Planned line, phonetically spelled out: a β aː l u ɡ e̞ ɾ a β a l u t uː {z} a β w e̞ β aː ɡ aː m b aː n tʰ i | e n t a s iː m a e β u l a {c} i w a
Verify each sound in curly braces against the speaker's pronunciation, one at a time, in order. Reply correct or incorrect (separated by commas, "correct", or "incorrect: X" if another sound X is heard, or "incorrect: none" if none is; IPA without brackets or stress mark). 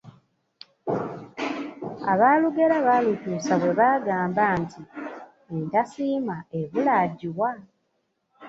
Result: incorrect: s, incorrect: ɟ